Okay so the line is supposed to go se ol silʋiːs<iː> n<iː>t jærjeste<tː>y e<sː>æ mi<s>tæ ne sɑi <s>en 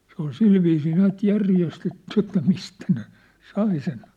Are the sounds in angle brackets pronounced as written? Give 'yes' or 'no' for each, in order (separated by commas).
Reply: yes, no, yes, no, yes, yes